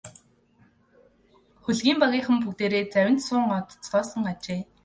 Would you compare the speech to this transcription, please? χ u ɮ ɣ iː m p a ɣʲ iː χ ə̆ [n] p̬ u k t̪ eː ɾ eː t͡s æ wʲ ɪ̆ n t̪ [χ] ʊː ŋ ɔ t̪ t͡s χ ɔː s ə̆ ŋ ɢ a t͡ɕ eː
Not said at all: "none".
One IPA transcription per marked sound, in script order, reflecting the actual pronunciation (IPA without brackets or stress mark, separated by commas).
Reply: m, s